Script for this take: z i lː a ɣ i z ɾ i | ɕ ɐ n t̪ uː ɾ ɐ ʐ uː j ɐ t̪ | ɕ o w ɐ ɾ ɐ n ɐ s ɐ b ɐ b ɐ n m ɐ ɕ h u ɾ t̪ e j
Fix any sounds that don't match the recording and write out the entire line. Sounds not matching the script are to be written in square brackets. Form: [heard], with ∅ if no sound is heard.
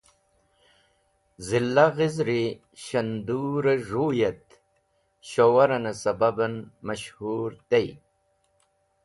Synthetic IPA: z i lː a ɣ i z ɾ i | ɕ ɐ n [d̪] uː ɾ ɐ ʐ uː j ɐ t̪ | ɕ o w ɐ ɾ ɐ n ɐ s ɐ b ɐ b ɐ n m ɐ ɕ h u ɾ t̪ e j